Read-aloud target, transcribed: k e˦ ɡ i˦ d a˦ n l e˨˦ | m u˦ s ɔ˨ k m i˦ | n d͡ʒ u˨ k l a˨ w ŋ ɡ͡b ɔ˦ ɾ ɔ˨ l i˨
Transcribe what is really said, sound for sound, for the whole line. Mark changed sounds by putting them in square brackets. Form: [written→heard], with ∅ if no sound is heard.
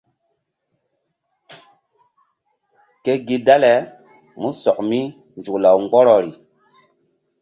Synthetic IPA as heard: k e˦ ɡ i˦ d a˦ [n→∅] l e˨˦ | m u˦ s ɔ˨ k m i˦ | n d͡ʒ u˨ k l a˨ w ŋ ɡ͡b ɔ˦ ɾ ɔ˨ [l→ɾ] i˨